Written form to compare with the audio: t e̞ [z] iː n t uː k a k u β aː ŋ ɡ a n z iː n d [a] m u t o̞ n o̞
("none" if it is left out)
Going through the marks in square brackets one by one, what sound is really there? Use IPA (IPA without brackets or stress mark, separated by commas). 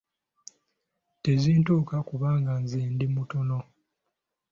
z, i